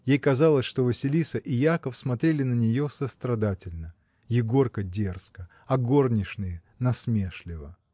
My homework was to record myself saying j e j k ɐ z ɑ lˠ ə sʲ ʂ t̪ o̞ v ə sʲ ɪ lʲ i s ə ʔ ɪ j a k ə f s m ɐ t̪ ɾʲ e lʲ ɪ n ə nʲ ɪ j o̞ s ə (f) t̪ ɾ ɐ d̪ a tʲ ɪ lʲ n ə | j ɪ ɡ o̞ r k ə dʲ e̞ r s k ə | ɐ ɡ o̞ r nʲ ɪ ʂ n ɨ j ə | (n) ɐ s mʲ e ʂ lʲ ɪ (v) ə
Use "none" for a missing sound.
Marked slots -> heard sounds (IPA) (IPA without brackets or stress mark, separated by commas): s, n, v